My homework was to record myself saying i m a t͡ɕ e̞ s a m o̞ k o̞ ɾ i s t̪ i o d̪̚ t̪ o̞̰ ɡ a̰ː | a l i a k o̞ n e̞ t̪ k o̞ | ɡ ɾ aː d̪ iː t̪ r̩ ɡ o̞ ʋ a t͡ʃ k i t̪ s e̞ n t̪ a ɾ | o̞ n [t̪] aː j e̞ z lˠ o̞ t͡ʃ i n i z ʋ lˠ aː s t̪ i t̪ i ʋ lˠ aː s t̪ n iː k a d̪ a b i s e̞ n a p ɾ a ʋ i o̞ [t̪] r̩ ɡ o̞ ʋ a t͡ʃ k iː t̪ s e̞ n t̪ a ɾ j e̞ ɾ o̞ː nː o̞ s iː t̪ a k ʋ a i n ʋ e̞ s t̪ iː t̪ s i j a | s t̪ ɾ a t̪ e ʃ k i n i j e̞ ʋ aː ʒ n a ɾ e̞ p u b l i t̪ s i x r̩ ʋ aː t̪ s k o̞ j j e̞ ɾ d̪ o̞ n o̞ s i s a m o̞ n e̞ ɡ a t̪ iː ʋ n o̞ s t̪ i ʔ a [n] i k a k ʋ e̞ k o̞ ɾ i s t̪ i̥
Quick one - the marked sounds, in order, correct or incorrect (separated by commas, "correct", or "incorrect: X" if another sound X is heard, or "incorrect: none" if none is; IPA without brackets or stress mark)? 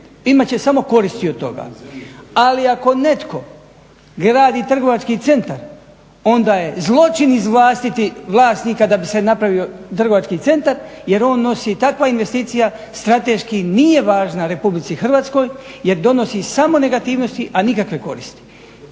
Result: incorrect: d̪, correct, correct